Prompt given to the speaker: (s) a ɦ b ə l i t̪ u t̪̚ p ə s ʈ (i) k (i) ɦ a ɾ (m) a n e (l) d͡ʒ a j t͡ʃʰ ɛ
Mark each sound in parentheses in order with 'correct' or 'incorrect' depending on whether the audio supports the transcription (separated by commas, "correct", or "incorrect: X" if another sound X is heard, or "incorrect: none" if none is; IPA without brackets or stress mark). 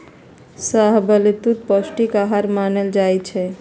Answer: correct, correct, incorrect: a, correct, correct